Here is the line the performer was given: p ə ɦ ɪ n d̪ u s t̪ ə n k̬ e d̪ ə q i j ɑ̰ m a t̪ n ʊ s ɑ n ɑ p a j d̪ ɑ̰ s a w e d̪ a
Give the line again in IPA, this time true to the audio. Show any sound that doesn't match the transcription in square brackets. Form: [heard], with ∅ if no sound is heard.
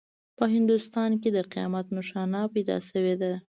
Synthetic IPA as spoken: p ə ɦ ɪ n d̪ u s t̪ [ɑ] n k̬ e d̪ ə q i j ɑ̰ m a t̪ n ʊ [ʃ] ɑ n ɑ p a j d̪ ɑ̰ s [ə] w e d̪ a